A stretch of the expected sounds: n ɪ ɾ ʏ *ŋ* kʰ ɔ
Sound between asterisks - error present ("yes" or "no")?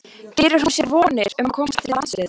yes